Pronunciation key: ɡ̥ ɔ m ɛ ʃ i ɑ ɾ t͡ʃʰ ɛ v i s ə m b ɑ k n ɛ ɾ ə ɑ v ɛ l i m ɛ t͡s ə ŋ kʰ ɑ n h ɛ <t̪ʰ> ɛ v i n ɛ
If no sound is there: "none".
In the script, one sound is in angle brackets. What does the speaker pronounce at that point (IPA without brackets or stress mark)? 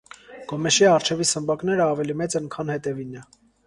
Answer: t̪